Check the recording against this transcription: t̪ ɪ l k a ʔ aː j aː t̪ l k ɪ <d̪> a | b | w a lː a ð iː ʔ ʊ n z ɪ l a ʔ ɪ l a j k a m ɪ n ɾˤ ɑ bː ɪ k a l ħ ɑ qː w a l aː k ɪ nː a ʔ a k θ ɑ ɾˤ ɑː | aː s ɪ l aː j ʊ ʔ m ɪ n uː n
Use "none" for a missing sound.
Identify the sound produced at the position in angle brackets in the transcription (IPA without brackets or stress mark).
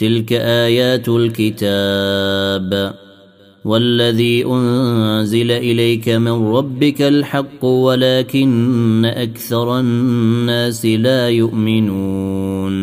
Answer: t̪